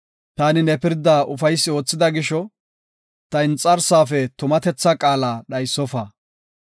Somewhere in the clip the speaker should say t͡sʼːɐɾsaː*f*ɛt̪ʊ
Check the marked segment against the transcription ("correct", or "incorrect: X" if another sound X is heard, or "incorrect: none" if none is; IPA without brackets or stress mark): correct